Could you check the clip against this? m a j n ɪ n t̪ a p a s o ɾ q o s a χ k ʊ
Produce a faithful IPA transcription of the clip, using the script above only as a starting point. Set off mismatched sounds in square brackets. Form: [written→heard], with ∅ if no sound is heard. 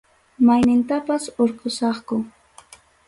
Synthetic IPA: m a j n ɪ n t̪ a p a s o ɾ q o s [a→ɑ] χ k ʊ